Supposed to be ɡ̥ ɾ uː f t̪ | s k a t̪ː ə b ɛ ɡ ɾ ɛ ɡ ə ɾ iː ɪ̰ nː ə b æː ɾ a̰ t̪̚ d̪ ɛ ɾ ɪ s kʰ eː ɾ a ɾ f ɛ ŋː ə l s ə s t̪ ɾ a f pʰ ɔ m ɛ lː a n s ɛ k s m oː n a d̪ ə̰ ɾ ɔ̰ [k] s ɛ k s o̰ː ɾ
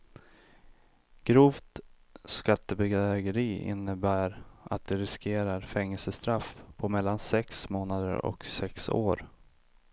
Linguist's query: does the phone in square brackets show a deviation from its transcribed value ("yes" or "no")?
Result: no